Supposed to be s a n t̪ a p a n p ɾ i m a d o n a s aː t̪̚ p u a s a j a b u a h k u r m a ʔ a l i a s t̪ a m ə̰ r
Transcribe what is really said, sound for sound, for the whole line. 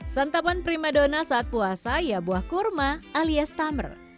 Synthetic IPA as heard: s a n t̪ a p a n p ɾ i m a d o n a s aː t̪̚ p u a s a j a b u a h k u r m a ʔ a l i a s t̪ a m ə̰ r